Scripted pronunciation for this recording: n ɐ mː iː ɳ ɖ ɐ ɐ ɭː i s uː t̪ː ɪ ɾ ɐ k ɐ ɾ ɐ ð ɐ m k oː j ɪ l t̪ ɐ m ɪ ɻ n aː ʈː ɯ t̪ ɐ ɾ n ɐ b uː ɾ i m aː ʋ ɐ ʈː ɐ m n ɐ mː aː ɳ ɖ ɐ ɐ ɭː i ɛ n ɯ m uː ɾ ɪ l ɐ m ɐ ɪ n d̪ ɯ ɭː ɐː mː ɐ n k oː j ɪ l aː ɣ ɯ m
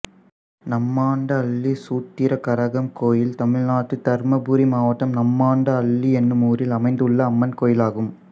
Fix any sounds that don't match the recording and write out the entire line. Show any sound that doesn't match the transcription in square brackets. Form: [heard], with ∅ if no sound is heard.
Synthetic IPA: n ɐ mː [aː] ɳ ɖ ɐ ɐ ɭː i s uː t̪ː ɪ ɾ ɐ k ɐ ɾ ɐ [ɣ] ɐ m k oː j ɪ l t̪ ɐ m ɪ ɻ n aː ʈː ɯ t̪ ɐ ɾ [m] ɐ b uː ɾ i m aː ʋ ɐ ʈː ɐ m n ɐ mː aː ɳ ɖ ɐ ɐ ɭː i ɛ [nː] ɯ m uː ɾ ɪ l ɐ m ɐ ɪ n d̪ ɯ ɭː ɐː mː ɐ n k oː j ɪ l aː ɣ ɯ m